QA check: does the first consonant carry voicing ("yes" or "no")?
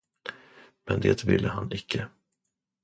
yes